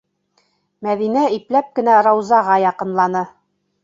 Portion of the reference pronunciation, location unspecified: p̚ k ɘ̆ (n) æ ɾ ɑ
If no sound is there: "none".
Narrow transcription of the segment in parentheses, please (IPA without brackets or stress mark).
n